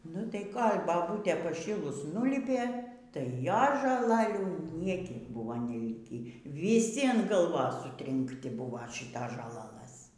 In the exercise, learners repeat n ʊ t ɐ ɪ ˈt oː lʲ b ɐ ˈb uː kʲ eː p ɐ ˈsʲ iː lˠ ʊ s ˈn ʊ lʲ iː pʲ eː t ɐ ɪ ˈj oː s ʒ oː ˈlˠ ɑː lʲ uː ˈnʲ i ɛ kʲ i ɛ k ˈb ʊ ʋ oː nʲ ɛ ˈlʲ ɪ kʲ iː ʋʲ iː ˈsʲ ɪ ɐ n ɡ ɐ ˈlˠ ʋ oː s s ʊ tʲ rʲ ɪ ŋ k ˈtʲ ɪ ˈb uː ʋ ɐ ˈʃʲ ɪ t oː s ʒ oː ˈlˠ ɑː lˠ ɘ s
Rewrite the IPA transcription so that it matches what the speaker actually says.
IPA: n ʊ t ɐ ɪ ˈk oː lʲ b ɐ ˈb uː tʲ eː p ɐ ˈʃʲ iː lˠ ʊ s ˈn ʊ lʲ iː pʲ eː t ɐ ɪ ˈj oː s ʒ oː ˈlˠ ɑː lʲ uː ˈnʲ i ɛ kʲ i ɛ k ˈb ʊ ʋ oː nʲ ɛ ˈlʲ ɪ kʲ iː ʋʲ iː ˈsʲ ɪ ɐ n ɡ ɐ ˈlˠ ʋ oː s s ʊ tʲ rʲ ɪ ŋ k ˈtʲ ɪ ˈb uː ʋ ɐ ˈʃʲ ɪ t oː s ʒ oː ˈlˠ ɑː lˠ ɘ s